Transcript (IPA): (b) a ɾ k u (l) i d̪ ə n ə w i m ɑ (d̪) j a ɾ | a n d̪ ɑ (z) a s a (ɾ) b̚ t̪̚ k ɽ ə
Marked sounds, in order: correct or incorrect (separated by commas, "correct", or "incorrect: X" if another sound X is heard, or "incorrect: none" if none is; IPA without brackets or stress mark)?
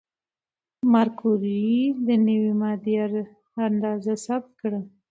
incorrect: m, incorrect: ɾ, correct, correct, incorrect: none